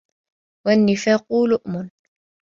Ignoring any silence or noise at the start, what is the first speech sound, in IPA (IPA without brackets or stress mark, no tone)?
w